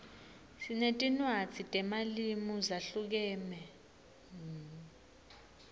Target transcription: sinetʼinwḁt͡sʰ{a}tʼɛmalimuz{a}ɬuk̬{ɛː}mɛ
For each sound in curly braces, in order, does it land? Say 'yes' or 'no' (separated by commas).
no, yes, yes